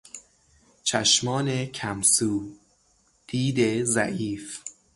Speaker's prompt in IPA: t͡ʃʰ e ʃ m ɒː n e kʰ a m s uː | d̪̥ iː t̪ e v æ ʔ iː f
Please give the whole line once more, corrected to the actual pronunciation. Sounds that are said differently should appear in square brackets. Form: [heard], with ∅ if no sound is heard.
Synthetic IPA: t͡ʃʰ [æ] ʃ m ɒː n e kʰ [æ] m s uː | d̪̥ iː [d̪] e [z] æ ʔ iː f